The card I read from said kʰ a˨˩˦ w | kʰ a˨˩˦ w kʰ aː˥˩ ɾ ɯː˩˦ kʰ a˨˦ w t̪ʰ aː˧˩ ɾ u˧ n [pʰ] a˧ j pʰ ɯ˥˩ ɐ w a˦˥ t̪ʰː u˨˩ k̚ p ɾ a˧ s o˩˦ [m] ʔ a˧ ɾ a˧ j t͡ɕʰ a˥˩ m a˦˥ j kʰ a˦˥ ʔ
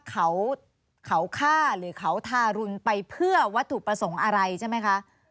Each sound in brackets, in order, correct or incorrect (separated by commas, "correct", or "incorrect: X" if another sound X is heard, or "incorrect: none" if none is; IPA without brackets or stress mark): incorrect: p, incorrect: ŋ